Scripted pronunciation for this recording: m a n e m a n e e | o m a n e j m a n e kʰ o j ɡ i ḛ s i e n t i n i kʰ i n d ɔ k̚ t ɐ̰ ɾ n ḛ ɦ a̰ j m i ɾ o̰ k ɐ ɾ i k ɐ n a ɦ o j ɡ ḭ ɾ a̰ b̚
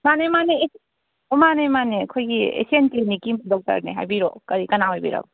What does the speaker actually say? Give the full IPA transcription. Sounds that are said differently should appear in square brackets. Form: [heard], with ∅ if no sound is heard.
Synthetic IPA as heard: m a n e m a n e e | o m a n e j m a n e kʰ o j ɡ i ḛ s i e n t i n i [k] i [m] d ɔ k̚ t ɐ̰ ɾ n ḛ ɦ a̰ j [b] i ɾ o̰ k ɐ ɾ i k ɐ n a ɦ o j [b] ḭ ɾ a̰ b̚